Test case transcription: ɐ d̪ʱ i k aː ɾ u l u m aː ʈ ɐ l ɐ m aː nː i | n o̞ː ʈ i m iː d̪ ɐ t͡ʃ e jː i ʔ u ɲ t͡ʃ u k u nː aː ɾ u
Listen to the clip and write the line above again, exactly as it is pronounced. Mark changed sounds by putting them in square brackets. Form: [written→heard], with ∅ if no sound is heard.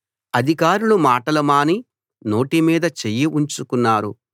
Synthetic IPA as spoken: ɐ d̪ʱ i k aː ɾ u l u m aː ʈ ɐ l ɐ m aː [nː→n] i | n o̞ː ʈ i m iː d̪ ɐ t͡ʃ e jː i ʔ u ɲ t͡ʃ u k u nː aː ɾ u